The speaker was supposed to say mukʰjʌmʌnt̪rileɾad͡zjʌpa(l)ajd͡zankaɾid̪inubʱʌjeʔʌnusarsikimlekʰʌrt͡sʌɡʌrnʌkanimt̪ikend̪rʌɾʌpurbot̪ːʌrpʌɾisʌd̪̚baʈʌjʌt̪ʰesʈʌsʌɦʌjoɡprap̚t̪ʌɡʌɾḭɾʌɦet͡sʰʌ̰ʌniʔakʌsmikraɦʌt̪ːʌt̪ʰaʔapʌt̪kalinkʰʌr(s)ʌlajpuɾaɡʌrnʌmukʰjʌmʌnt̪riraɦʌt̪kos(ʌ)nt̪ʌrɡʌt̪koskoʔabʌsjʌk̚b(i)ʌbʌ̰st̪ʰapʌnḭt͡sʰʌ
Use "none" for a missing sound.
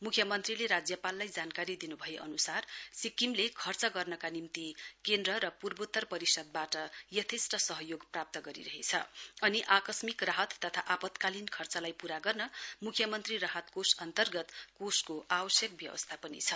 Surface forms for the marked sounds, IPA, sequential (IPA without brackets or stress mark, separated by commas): lː, t͡s, ʌ, j